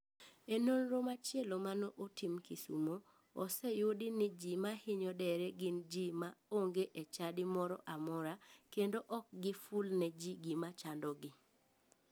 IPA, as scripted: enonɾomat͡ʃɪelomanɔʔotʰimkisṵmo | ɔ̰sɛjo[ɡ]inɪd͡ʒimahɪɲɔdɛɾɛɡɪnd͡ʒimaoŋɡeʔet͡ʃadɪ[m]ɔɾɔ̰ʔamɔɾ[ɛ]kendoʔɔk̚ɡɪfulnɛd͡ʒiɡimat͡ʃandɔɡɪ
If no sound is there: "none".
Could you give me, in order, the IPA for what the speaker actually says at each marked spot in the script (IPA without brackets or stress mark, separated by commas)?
d, m, a